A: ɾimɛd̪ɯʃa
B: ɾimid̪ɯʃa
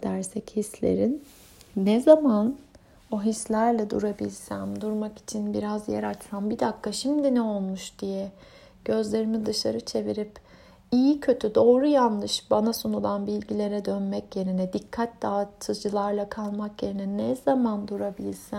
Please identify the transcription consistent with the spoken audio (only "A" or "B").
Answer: B